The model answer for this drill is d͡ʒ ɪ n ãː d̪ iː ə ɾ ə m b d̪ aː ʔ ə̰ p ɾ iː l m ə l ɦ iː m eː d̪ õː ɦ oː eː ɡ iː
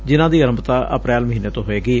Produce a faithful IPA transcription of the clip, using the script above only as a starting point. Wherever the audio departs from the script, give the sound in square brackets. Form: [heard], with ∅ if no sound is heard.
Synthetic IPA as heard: d͡ʒ ɪ n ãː d̪ iː ə ɾ ə m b [t̪] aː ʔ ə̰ p ɾ [ɛː] l m ə [∅] ɦ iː [n] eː [t̪] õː ɦ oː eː ɡ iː